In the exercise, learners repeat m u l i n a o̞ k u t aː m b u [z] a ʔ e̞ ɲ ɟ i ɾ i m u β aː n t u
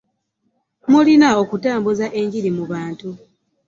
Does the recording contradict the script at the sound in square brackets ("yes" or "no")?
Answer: no